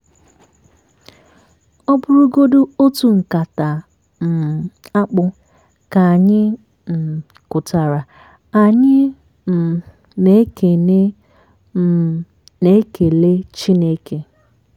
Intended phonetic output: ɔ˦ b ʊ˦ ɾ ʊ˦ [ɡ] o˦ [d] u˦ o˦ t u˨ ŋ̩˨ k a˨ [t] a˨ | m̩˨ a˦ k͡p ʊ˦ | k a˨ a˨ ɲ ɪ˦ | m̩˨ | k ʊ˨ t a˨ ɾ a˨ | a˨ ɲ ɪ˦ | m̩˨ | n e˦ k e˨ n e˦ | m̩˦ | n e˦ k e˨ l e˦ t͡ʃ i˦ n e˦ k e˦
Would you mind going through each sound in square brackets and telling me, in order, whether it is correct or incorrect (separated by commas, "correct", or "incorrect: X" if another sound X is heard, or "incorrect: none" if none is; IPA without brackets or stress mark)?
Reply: correct, correct, correct